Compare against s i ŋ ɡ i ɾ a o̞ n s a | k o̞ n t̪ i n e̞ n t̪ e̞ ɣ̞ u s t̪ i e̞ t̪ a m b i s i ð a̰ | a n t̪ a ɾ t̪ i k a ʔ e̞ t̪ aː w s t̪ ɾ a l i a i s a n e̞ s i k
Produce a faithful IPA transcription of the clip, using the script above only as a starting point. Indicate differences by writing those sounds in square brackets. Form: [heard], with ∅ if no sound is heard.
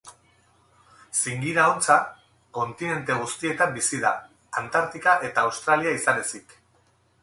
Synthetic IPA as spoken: s i ŋ ɡ i ɾ a o̞ n [t͡s] a | k o̞ n t̪ i n e̞ n t̪ e̞ ɣ̞ u s t̪ i e̞ t̪ a m b i s i ð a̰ | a n t̪ a ɾ t̪ i k a ʔ e̞ t̪ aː w s t̪ ɾ a l i a i s a n e̞ s i k